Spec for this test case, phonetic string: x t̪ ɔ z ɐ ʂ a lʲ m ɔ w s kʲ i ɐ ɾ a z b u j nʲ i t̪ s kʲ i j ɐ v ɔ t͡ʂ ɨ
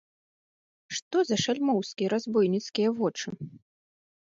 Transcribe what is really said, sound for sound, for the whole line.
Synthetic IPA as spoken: ʂ t̪ ɔ z ɐ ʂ a lʲ m ɔ w s kʲ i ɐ ɾ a z b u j nʲ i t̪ s kʲ i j ɐ v ɔ t͡ʂ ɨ